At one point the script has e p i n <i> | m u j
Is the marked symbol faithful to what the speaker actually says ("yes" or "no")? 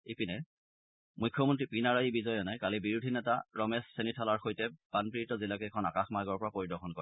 no